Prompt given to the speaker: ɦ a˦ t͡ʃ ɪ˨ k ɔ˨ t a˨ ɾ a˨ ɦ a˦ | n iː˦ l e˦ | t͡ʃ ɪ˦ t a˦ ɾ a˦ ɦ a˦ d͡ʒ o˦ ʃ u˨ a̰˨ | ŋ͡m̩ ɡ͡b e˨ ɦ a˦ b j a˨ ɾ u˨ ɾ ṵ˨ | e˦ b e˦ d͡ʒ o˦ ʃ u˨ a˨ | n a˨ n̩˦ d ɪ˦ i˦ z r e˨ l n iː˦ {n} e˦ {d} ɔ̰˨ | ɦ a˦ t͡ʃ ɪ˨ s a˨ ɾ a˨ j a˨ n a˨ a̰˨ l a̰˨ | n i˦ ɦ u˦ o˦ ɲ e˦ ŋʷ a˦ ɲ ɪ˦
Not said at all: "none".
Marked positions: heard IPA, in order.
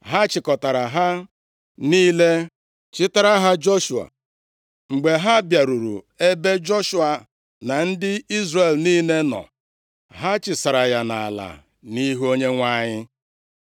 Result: n, n

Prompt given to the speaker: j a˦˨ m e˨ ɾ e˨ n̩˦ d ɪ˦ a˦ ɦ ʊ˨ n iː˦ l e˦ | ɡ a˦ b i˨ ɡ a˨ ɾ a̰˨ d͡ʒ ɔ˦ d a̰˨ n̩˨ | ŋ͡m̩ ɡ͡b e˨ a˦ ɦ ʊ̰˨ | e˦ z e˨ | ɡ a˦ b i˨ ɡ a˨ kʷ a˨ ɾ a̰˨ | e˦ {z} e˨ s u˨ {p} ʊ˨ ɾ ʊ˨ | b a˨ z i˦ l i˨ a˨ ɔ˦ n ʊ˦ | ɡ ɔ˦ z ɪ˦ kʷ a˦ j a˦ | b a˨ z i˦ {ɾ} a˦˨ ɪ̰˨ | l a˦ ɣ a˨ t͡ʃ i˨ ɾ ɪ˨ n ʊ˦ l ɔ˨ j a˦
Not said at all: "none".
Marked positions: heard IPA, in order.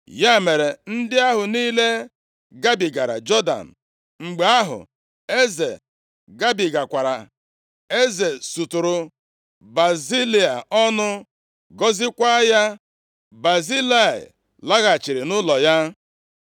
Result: z, t, l

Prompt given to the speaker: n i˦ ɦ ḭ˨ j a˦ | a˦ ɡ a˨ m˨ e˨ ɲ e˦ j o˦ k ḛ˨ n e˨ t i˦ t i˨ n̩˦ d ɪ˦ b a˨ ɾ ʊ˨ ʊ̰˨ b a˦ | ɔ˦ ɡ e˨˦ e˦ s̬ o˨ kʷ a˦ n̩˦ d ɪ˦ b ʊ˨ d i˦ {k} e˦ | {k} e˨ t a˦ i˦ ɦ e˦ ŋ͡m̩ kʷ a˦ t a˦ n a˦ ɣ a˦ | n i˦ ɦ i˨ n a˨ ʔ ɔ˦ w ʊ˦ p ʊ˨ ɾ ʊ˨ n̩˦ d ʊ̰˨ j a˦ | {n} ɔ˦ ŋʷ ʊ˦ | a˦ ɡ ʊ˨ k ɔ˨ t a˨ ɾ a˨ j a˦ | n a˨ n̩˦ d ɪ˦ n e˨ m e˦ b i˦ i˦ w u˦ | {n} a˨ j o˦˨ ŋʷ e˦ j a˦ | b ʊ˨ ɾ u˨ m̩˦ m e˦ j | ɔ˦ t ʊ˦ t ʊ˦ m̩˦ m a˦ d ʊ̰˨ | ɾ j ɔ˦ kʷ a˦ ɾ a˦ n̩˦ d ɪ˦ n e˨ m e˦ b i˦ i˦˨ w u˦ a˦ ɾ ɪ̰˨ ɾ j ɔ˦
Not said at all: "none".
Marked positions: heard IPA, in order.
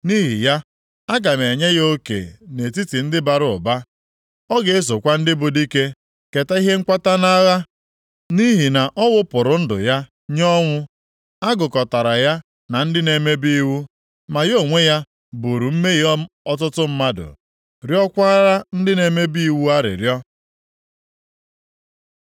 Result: k, k, ɲ, m

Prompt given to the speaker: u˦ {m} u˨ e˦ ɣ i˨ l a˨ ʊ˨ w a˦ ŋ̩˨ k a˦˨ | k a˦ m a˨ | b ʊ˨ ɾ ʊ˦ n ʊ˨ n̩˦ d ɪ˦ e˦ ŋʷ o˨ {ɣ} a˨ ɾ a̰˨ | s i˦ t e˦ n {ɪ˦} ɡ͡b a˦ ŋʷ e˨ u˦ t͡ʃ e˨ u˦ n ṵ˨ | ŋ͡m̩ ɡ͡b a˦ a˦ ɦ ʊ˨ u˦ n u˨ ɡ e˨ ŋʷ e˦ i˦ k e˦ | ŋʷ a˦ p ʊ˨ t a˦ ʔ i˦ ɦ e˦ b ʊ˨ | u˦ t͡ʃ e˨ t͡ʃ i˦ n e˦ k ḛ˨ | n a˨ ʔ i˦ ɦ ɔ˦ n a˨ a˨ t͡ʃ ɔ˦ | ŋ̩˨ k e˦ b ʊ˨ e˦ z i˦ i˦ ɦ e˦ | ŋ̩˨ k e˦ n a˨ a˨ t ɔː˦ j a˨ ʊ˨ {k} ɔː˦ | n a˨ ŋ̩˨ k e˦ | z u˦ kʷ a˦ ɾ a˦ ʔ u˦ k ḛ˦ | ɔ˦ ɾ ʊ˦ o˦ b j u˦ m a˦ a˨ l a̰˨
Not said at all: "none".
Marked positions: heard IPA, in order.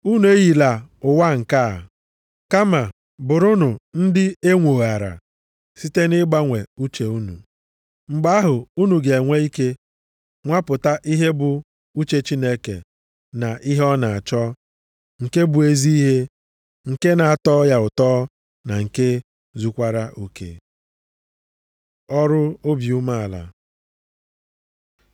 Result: n, ɣ, ɪ˦, t

